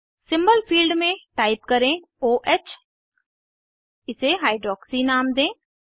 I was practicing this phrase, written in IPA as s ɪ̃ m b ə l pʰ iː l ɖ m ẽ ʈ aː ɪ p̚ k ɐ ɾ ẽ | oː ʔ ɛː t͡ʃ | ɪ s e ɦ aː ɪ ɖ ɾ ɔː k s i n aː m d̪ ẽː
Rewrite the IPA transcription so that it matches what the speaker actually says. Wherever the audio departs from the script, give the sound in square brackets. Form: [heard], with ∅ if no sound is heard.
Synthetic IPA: s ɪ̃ m b ə l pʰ iː l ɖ m ẽ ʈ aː ɪ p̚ k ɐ ɾ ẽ | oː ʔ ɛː t͡ʃ | ɪ s e ɦ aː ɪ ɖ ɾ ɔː k s i n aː m d̪ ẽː